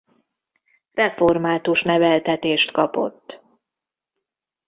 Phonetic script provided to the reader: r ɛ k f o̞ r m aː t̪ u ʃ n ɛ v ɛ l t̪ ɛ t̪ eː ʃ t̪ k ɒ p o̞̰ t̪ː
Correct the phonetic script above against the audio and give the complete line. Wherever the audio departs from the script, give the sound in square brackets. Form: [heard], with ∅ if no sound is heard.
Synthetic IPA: r ɛ [∅] f o̞ r m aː t̪ u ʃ n ɛ v ɛ l t̪ ɛ t̪ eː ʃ t̪ k ɒ p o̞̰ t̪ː